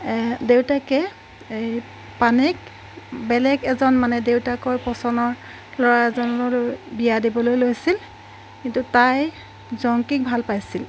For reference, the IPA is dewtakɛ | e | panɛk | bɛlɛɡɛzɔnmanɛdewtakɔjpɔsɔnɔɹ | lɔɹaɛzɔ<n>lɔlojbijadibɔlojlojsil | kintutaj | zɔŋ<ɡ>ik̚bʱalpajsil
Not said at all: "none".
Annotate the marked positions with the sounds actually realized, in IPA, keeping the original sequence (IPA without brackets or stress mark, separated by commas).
n, k